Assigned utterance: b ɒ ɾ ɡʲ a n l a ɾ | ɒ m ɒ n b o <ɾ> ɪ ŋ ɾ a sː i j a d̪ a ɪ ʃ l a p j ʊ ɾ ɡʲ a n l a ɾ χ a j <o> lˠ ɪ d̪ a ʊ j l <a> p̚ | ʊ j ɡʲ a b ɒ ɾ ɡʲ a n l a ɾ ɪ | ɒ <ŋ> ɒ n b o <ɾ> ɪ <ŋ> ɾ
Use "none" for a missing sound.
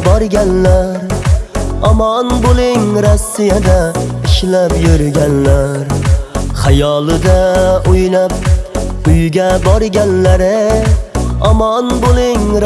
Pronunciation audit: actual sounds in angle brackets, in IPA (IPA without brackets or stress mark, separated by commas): l, ɒ, a, m, l, ŋ